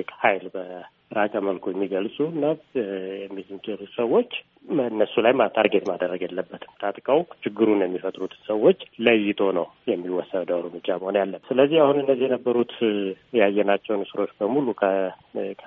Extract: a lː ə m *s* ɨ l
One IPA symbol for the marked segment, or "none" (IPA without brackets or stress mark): s